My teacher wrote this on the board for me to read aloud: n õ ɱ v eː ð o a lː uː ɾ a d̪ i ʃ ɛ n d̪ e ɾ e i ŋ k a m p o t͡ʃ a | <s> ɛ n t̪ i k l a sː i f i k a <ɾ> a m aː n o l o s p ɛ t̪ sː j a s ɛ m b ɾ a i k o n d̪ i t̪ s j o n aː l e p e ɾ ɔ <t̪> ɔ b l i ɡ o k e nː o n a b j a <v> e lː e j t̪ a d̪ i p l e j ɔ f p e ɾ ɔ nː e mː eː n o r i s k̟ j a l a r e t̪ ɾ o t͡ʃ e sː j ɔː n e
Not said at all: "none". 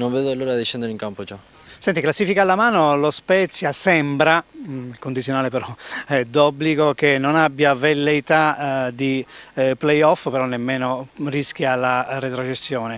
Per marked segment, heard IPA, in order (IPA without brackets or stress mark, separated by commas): s, l, d̪, v